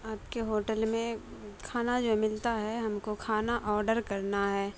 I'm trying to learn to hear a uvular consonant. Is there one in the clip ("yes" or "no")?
no